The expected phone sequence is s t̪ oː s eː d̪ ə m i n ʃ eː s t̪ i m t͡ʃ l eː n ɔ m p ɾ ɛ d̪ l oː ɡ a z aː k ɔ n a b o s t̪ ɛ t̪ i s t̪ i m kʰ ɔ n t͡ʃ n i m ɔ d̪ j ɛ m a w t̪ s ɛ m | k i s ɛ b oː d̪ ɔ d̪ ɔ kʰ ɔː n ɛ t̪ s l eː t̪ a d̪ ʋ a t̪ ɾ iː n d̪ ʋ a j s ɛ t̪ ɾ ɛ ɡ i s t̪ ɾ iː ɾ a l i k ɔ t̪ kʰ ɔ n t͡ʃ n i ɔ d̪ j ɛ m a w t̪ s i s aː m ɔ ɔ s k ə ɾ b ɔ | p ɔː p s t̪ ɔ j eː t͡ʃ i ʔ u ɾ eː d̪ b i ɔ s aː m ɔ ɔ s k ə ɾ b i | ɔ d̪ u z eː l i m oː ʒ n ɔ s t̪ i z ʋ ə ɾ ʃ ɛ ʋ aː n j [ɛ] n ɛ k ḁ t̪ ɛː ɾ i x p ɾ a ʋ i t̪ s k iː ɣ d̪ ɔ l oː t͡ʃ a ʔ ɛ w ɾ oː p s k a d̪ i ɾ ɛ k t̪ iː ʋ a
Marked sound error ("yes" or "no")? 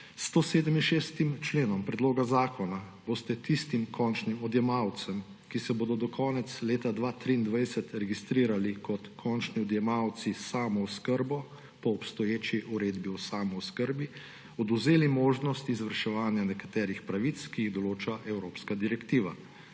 yes